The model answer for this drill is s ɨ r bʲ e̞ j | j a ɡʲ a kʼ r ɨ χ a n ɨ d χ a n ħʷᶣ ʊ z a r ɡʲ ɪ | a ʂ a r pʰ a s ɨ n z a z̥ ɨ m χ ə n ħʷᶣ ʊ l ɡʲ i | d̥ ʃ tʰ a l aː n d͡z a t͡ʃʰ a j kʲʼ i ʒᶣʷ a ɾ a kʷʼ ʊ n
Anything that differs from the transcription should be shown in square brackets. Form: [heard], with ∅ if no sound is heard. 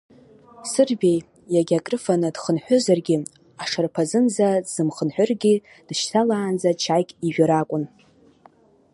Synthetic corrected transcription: s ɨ r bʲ e̞ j | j a ɡʲ a kʼ r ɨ [f] a n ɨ d χ [ə] n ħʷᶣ ʊ z a r ɡʲ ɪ | a ʂ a r pʰ a [z] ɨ n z a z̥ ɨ m χ ə n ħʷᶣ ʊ [r] ɡʲ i | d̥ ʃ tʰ a l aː n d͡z a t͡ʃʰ a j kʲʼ i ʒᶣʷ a ɾ a kʷʼ ʊ n